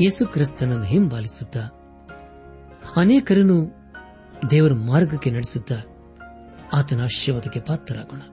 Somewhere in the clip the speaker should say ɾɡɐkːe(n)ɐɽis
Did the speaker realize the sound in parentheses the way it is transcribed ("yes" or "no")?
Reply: yes